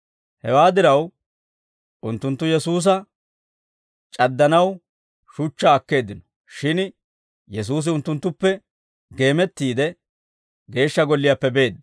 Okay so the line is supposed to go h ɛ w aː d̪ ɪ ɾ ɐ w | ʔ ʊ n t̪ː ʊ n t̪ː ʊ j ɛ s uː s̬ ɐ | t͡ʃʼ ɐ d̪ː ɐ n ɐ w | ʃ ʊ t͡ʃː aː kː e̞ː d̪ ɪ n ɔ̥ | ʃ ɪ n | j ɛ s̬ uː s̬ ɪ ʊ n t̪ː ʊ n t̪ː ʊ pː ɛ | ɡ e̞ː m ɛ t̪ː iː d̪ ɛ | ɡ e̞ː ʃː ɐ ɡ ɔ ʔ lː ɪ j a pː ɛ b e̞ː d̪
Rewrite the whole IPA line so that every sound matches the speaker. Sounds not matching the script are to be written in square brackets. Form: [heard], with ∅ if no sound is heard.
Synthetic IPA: h ɛ w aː d̪ ɪ ɾ ɐ w | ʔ ʊ n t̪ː ʊ n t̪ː ʊ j ɛ s uː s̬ ɐ | t͡ʃʼ ɐ d̪ː ɐ n ɐ w | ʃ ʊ t͡ʃː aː kː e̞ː d̪ ɪ n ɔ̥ | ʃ ɪ n | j ɛ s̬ uː s̬ ɪ ʊ n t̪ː ʊ n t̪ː ʊ pː ɛ | ɡ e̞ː m ɛ t̪ː iː d̪ ɛ | ɡ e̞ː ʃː ɐ ɡ ɔ [∅] lː ɪ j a pː ɛ b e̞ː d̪